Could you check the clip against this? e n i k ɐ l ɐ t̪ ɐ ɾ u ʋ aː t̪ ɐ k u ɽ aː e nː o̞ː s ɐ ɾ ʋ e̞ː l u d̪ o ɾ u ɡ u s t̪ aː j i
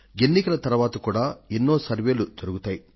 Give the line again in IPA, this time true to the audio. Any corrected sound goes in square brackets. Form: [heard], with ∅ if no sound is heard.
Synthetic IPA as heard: e [nː] i k ɐ l ɐ t̪ ɐ ɾ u ʋ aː t̪ ɐ k [uː] ɽ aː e nː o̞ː s ɐ ɾ ʋ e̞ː l u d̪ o ɾ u ɡ u [∅] t̪ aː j i